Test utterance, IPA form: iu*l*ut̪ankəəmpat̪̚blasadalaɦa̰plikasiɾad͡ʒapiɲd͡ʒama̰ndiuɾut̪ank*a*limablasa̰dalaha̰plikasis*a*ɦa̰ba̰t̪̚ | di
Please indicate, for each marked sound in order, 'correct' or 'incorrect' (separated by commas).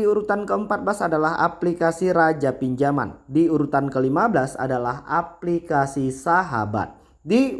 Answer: incorrect, incorrect, correct